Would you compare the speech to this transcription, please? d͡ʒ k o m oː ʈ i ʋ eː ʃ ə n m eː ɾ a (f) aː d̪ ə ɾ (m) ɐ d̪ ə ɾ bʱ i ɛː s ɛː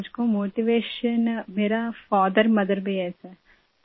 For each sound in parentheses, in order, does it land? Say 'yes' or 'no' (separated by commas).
yes, yes